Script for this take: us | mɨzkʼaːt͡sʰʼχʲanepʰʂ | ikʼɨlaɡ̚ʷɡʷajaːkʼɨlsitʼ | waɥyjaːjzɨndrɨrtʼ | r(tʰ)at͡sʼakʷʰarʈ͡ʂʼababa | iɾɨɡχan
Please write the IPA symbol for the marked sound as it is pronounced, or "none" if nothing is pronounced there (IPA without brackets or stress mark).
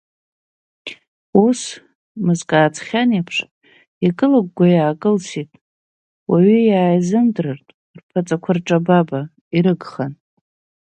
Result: pʰ